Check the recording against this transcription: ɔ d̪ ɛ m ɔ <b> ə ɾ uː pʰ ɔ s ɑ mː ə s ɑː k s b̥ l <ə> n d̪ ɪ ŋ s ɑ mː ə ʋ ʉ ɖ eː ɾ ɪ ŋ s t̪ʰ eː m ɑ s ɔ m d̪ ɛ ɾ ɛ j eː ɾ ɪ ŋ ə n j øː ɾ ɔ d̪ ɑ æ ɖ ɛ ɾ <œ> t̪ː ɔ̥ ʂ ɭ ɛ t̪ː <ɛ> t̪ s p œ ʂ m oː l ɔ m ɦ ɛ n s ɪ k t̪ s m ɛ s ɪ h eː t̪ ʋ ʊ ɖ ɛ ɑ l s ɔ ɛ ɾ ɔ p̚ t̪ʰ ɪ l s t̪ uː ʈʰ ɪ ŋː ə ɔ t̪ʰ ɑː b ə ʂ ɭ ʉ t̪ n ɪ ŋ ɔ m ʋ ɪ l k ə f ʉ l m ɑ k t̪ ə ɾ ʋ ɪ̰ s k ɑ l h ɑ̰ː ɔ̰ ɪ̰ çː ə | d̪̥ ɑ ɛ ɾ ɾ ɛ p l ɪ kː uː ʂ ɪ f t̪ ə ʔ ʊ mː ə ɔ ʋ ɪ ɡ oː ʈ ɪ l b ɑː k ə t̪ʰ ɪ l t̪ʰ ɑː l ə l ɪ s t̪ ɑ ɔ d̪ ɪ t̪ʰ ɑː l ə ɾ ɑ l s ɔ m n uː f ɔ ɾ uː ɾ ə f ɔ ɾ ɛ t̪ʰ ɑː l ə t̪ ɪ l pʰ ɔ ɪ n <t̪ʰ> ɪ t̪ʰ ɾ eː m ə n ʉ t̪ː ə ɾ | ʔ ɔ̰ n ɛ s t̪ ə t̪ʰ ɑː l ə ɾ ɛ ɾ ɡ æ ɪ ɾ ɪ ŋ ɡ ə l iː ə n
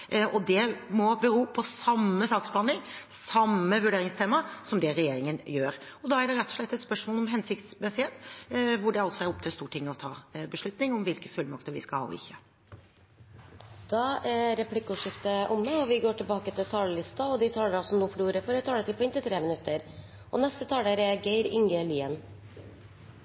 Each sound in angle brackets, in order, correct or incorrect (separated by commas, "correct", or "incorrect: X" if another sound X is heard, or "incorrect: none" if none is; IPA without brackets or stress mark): correct, incorrect: ɑ, incorrect: ɛ, correct, incorrect: t̪